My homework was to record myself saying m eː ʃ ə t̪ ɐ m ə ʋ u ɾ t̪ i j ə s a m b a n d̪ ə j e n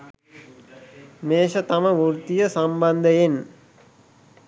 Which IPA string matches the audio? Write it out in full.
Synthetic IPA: m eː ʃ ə t̪ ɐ m ə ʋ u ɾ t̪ i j ə s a m b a n d̪ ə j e n